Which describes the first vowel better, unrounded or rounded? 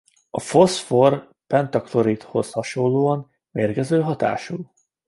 rounded